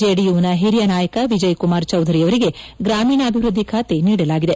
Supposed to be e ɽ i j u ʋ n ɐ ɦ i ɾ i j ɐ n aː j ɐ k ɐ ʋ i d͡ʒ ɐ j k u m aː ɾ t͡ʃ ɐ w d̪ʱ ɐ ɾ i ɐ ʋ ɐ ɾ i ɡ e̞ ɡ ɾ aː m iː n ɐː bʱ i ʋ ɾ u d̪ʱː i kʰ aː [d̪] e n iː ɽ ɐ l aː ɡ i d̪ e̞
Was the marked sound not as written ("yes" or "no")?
yes